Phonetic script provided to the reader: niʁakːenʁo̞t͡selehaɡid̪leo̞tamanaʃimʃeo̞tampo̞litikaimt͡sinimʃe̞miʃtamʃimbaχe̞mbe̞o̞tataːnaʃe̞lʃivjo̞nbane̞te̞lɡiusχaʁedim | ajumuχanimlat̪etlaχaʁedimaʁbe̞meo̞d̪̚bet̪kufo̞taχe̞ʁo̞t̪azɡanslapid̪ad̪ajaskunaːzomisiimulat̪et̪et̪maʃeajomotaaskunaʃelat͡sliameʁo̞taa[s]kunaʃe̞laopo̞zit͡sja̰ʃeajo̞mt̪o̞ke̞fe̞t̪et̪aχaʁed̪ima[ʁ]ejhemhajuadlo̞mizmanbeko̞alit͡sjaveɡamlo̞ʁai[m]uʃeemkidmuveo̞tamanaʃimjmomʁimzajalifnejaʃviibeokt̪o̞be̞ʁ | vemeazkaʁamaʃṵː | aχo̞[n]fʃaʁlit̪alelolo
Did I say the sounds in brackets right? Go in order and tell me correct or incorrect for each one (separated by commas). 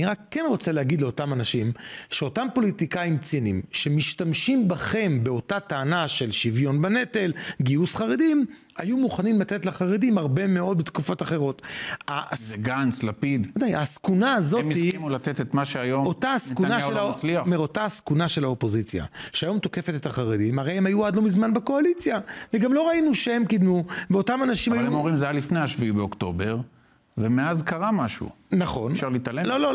correct, correct, incorrect, correct